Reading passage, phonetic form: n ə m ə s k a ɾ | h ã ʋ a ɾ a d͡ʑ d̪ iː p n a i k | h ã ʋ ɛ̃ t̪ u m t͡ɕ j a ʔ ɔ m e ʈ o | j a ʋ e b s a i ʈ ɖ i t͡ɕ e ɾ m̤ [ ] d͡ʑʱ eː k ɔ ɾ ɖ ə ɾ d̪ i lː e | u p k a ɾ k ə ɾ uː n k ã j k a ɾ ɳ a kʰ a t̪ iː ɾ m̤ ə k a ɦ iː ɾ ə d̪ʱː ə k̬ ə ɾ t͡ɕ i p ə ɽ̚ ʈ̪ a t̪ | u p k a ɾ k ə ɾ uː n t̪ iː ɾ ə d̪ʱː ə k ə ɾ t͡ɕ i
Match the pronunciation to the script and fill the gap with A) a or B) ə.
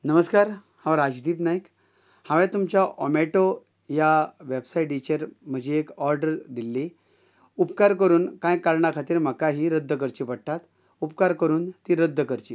B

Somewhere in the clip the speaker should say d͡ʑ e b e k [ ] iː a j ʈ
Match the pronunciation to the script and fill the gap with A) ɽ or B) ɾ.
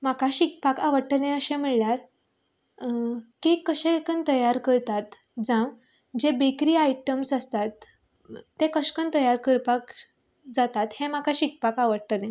B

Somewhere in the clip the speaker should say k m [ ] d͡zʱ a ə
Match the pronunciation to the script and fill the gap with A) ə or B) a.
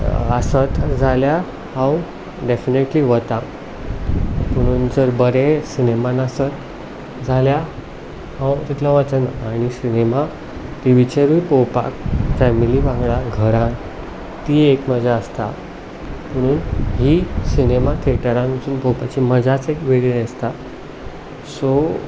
A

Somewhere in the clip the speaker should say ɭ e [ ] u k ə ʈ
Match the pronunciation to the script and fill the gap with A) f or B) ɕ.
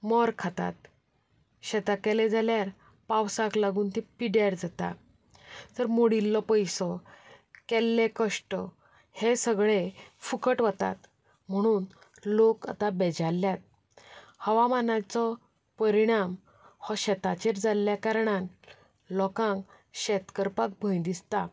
A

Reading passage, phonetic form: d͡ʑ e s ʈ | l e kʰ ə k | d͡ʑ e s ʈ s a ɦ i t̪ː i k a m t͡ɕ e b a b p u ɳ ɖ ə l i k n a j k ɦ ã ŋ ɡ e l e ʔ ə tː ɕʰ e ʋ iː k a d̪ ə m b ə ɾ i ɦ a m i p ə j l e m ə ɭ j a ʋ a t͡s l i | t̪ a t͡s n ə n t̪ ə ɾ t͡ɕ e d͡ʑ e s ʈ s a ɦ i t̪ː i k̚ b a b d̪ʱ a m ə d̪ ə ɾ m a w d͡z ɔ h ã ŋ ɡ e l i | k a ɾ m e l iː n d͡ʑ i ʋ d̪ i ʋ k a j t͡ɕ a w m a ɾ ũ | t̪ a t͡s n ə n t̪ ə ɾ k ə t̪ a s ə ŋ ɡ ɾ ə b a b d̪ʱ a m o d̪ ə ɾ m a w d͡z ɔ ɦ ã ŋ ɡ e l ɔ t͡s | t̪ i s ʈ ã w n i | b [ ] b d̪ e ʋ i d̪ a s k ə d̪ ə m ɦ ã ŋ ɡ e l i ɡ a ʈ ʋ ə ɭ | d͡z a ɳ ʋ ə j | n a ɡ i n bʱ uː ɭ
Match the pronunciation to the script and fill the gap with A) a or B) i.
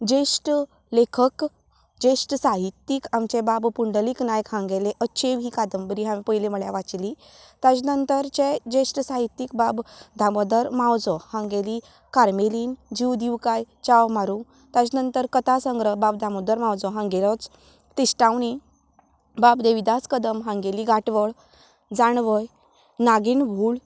A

